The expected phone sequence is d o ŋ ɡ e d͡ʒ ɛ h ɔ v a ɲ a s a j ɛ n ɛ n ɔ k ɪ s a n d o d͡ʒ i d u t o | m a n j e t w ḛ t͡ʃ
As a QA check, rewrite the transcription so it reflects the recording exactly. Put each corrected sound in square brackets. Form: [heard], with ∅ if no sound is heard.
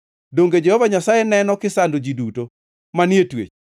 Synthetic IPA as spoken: d o ŋ ɡ e d͡ʒ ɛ h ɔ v a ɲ a s a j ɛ n ɛ n ɔ k ɪ s a n d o d͡ʒ i d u t o | m a n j e t w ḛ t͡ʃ

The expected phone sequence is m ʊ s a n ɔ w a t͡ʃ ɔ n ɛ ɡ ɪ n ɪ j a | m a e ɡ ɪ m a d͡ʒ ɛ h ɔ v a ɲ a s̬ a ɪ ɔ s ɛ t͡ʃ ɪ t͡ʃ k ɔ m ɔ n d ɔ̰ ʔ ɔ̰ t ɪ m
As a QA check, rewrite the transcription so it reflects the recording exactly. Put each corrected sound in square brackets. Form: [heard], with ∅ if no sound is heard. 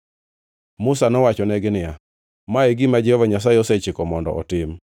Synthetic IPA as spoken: m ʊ s a n ɔ w a t͡ʃ ɔ n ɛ ɡ ɪ n ɪ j a | m a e ɡ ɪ m a d͡ʒ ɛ h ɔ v a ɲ a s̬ a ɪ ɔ s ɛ t͡ʃ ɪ [∅] k ɔ m ɔ n d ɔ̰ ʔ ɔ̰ t ɪ m

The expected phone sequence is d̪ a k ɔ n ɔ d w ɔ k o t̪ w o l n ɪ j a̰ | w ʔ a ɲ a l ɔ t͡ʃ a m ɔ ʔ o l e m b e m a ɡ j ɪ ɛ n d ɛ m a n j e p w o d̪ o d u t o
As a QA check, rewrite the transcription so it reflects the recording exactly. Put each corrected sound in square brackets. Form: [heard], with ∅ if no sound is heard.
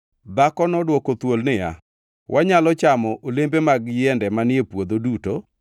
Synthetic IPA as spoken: d̪ a k ɔ n ɔ d w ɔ k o t̪ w o l n ɪ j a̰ | w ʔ a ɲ a l ɔ t͡ʃ a m ɔ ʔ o l e m b e m a ɡ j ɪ ɛ n d ɛ m a n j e p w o d̪ o d u t o

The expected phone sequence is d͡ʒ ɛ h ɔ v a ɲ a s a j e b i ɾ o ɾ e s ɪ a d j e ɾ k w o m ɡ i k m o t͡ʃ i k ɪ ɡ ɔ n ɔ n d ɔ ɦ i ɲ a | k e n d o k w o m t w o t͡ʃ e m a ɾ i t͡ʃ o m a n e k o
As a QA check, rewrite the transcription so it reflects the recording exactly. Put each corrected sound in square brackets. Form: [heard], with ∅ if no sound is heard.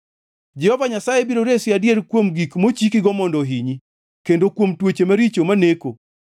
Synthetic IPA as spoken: d͡ʒ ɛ h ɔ v a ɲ a s a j e b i ɾ o ɾ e s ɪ a d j e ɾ k w o m ɡ i k m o t͡ʃ i k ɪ ɡ ɔ [m] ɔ n d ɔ ɦ i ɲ [i] | k e n d o k w o m t w o t͡ʃ e m a ɾ i t͡ʃ o m a n e k o

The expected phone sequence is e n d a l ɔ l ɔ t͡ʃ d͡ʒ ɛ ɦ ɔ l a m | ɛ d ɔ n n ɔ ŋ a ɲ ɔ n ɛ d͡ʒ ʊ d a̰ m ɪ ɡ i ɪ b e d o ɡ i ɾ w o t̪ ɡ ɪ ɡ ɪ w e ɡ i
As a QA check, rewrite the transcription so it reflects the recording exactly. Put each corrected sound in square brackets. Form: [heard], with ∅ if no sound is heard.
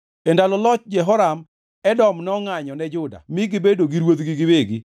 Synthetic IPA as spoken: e n d a l ɔ l ɔ t͡ʃ d͡ʒ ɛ ɦ ɔ [ɾ] a m | ɛ d ɔ [m] n ɔ ŋ a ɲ ɔ n ɛ d͡ʒ ʊ d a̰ m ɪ ɡ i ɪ b e d o ɡ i ɾ w o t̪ ɡ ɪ ɡ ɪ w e ɡ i

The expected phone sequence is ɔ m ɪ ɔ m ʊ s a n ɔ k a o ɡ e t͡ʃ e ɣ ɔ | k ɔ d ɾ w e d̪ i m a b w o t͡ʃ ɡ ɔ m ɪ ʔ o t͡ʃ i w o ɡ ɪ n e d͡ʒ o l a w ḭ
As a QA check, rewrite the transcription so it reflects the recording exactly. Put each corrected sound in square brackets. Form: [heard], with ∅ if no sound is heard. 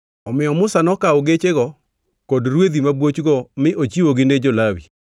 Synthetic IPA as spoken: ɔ m ɪ ɔ m ʊ s a n ɔ k a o ɡ e t͡ʃ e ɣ ɔ | k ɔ d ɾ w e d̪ i m a b w o t͡ʃ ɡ ɔ m ɪ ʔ o t͡ʃ i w o ɡ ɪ n e d͡ʒ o l a w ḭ

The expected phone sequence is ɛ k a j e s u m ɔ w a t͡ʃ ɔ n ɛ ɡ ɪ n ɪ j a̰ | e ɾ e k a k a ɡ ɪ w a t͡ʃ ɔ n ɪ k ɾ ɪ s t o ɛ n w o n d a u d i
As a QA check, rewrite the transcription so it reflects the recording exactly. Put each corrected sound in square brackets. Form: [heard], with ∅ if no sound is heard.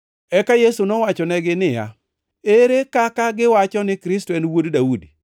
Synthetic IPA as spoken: ɛ k a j e s u [n] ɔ w a t͡ʃ ɔ n ɛ ɡ ɪ n ɪ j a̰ | e ɾ e k a k a ɡ ɪ w a t͡ʃ ɔ n ɪ k ɾ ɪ s t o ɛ n w o [d] d a u d i

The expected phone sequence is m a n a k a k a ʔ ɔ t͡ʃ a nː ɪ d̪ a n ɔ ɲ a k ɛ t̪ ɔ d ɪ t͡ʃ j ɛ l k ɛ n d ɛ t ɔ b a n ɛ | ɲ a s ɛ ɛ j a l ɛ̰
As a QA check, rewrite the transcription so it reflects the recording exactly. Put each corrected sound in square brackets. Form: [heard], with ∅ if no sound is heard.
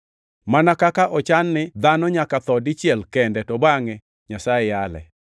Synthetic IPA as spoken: m a n a k a k a ʔ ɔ t͡ʃ a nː ɪ d̪ a n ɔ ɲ a k [a] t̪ ɔ d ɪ t͡ʃ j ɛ l k ɛ n d ɛ t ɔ b a [ŋ] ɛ | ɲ a s [a] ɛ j a l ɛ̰

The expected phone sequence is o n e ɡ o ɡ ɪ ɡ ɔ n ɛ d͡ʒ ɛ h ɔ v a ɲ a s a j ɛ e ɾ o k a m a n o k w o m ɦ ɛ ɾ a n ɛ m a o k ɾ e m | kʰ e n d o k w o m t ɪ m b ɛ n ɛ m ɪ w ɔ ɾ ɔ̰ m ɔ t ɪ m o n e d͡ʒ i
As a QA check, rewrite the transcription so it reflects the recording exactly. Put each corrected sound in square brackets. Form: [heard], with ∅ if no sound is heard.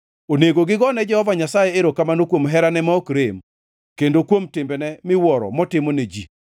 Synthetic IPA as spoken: o n e ɡ o ɡ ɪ ɡ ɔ n ɛ d͡ʒ ɛ h ɔ v a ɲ a s a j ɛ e ɾ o k a m a n o k w o m ɦ ɛ ɾ a n ɛ m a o k ɾ e m | [k] e n d o k w o m t ɪ m b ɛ n ɛ m ɪ w ɔ ɾ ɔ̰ m ɔ t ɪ m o n e d͡ʒ i

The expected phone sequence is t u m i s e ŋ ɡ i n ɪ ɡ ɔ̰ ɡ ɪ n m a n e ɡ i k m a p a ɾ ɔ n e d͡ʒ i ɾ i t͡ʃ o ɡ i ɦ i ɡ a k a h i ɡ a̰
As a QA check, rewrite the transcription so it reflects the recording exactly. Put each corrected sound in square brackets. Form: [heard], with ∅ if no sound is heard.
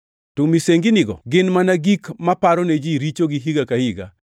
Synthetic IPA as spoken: t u m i s e ŋ ɡ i n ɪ ɡ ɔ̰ ɡ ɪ n m a n [a] ɡ i k m a p a ɾ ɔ n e d͡ʒ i ɾ i t͡ʃ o ɡ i ɦ i ɡ a k a h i ɡ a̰

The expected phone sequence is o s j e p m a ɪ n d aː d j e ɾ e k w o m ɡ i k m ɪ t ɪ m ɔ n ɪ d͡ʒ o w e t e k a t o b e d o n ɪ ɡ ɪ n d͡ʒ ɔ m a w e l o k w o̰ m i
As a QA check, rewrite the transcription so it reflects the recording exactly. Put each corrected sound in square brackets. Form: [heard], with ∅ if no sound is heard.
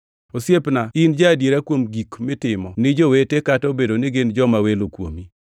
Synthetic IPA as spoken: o s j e p [n] a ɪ n [d͡ʒ] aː d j e ɾ [a] k w o m ɡ i k m ɪ t ɪ m ɔ n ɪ d͡ʒ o w e t e k a t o b e d o n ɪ ɡ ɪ n d͡ʒ ɔ m a w e l o k w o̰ m i

